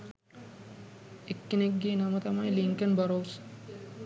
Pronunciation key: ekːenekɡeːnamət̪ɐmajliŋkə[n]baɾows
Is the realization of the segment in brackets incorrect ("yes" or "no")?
no